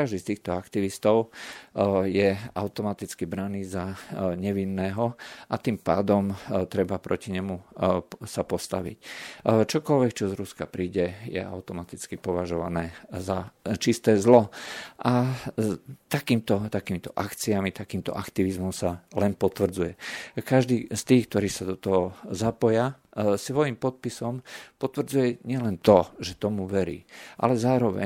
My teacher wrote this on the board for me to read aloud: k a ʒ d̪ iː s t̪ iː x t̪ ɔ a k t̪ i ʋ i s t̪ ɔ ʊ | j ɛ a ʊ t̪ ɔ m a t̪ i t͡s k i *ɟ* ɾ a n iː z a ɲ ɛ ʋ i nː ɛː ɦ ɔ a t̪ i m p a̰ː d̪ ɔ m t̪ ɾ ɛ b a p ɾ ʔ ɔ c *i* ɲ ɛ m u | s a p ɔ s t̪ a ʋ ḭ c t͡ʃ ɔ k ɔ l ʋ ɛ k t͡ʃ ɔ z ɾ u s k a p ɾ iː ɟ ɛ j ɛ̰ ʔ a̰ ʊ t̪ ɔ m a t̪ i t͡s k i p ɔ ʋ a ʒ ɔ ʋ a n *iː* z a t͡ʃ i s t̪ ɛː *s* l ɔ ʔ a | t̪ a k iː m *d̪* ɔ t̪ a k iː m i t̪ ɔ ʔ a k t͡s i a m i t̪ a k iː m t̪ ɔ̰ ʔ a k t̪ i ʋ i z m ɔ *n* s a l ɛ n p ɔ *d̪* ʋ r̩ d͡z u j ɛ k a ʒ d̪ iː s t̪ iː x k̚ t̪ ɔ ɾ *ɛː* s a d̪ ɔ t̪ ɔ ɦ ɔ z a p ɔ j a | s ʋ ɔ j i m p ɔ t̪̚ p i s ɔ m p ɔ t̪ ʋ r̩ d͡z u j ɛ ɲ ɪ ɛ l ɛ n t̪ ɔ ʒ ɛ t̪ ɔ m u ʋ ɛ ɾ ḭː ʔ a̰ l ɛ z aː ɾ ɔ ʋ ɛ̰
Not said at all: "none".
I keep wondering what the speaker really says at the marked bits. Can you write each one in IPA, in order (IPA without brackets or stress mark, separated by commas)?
b, i, ɛː, z, t̪, m, t̪, iː